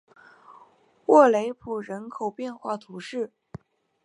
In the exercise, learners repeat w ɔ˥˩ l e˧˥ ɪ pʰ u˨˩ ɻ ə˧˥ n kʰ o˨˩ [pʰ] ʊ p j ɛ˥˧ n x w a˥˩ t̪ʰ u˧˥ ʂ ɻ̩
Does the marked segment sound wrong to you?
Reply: yes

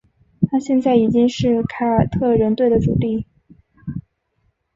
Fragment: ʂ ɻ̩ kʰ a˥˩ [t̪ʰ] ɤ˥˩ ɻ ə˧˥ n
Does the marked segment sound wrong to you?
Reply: no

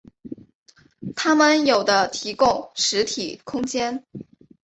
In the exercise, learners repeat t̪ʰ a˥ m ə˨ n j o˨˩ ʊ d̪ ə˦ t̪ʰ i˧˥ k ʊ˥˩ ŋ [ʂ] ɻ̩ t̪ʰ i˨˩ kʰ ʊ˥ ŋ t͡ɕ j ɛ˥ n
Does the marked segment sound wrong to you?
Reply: no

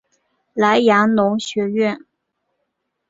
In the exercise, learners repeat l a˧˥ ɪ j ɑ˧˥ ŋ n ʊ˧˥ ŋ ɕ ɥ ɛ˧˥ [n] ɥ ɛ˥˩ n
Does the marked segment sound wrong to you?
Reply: yes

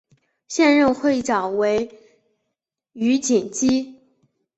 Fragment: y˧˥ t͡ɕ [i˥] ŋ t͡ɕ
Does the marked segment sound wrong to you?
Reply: yes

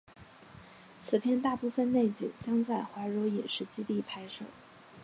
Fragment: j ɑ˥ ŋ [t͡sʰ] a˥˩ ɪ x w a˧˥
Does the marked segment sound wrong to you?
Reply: yes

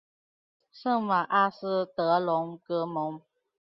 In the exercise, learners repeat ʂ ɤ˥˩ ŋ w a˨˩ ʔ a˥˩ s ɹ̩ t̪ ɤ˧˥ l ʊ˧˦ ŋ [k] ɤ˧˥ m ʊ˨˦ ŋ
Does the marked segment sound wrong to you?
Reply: no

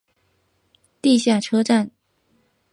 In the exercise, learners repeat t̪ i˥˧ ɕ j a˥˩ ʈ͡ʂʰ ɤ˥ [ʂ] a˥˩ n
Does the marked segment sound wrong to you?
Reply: yes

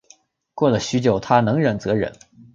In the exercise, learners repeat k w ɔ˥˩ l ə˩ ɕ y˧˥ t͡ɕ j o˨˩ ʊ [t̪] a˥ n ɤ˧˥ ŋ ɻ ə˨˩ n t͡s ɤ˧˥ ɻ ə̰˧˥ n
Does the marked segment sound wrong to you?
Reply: yes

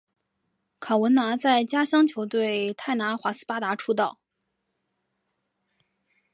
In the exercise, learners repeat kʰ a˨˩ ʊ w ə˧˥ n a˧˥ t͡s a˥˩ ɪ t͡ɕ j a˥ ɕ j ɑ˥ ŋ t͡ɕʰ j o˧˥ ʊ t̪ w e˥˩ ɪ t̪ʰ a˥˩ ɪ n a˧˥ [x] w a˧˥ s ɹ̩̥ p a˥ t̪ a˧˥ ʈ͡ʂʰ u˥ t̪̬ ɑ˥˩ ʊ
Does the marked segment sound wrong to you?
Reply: no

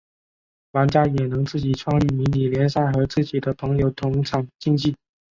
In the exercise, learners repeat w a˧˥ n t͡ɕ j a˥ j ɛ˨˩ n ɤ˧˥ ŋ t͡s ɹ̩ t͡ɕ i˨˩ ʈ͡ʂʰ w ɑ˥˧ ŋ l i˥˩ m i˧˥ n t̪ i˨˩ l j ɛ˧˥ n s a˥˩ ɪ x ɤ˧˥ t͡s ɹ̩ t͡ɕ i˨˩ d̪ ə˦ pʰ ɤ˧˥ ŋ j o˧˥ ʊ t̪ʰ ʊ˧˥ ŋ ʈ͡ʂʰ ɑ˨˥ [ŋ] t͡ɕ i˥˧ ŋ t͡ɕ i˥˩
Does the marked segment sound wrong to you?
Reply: no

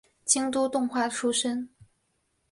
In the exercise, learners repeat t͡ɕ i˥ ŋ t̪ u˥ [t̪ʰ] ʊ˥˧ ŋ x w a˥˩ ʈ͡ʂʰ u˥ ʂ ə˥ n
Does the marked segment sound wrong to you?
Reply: yes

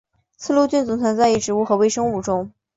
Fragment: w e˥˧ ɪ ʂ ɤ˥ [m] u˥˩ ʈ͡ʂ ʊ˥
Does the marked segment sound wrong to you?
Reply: yes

